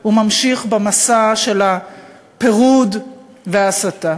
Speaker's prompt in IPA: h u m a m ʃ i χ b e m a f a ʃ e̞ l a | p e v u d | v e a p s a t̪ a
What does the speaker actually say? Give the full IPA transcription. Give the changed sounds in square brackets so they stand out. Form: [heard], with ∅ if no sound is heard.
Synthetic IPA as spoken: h u m a m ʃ i χ b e m a [s] a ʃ e̞ l a | p e [ʁ] u d | v e a [∅] s a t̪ a